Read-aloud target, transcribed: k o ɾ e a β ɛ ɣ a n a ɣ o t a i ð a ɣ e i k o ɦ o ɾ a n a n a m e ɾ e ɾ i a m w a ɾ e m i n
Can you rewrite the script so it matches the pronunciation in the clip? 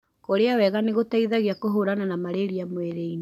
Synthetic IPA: k o ɾ e a w ɛ ɣ a n e ɣ o t a i ð a ɣ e a k o ɦ o ɾ a n a n a m a ɾ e ɾ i a m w e ɾ e i n